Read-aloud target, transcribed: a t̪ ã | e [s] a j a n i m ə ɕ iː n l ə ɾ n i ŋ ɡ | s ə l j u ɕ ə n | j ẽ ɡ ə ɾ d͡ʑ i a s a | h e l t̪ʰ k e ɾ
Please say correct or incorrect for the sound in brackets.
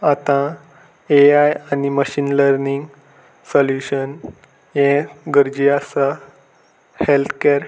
incorrect